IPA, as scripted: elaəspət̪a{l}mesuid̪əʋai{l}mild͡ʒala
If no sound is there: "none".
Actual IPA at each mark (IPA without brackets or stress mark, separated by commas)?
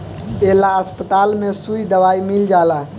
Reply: l, none